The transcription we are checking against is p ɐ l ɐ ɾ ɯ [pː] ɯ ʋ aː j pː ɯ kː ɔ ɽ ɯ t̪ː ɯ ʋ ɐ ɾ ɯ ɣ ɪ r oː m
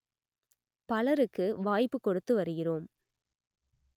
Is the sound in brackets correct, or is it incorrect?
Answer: incorrect